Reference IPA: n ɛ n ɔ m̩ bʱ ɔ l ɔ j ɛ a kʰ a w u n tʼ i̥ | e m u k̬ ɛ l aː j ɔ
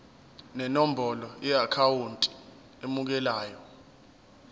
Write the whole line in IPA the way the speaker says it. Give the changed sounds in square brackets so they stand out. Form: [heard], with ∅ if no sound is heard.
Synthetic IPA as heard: n ɛ n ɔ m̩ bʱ ɔ l ɔ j ɛ a kʰ a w u n tʼ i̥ | e m u k̬ ɛ l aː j ɔ